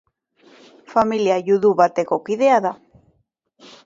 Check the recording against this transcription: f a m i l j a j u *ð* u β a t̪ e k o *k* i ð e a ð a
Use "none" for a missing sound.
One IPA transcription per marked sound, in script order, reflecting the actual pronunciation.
ð, k

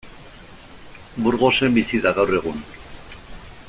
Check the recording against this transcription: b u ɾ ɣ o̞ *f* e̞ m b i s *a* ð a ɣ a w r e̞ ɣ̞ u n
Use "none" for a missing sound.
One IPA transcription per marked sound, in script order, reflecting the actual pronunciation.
s, i

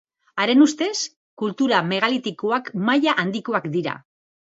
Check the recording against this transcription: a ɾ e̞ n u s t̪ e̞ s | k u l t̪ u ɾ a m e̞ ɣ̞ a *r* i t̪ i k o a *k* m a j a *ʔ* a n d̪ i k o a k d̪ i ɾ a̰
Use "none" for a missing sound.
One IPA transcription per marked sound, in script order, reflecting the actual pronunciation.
l, k, ʔ

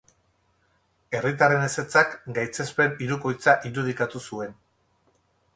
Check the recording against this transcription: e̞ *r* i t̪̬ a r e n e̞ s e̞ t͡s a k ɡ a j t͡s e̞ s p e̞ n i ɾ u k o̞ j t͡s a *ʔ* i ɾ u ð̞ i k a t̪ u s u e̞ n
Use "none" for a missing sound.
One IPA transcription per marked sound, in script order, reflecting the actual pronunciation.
r, ʔ

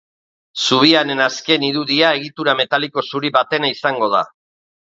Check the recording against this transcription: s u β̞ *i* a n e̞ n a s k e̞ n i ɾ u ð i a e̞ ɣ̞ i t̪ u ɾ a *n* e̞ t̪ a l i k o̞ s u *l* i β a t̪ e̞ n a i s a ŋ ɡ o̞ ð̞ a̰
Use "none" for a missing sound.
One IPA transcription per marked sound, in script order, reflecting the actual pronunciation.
i, m, ɾ

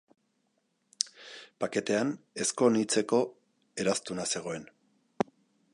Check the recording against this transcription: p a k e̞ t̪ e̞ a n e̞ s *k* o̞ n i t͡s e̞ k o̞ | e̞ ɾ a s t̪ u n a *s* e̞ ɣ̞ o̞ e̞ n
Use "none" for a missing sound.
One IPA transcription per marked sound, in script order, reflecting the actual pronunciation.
k, s

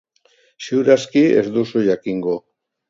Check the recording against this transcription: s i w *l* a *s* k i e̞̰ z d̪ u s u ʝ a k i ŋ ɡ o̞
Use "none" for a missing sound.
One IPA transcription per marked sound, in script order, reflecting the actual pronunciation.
ɾ, s

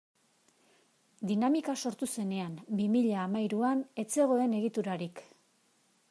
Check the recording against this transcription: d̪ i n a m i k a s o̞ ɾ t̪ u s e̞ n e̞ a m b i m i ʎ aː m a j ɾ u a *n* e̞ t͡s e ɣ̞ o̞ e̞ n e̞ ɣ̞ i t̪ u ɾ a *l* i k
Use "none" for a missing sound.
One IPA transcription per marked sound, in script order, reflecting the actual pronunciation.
n, ɾ

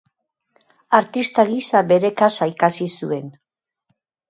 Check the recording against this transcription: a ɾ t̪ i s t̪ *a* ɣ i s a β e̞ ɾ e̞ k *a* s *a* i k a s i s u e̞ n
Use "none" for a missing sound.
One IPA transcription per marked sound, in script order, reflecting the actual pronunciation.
a, a, a

